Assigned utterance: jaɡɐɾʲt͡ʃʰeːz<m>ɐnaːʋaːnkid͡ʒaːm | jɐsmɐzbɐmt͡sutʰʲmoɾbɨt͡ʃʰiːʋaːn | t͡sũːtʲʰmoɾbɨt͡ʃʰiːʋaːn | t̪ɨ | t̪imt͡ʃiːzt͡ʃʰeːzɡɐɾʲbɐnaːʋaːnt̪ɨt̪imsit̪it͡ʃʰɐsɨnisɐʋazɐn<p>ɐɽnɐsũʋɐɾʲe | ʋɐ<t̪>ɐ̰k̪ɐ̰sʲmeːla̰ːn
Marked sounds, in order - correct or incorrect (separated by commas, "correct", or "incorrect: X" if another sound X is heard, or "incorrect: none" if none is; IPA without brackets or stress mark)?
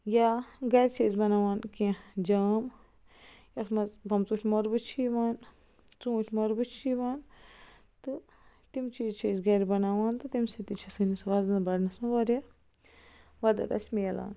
incorrect: b, incorrect: b, incorrect: d̪